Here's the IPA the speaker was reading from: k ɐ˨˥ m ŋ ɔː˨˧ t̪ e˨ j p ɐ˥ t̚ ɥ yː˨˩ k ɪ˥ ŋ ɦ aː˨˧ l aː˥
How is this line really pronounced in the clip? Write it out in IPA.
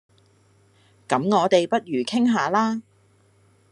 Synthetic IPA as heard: k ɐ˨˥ m ŋ ɔː˨˧ t̪ e˨ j p ɐ˥ t̚ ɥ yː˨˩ kʰ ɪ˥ ŋ ɦ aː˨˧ l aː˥